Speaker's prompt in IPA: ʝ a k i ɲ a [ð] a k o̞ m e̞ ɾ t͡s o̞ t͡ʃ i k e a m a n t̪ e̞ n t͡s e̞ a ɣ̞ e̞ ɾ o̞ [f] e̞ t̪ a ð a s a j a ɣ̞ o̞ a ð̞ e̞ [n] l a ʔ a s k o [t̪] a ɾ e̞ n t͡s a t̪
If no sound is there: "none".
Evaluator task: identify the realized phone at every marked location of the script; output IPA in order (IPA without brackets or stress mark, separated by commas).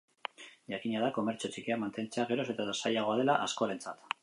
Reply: ð, s, none, none